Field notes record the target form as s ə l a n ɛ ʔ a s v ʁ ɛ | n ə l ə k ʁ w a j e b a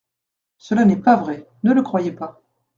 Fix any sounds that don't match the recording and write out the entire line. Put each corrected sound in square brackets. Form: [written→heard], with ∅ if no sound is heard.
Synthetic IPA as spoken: s ə l a n ɛ [ʔ→p] a [s→∅] v ʁ ɛ | n ə l ə k [ʁ→χ] w a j e [b→p] a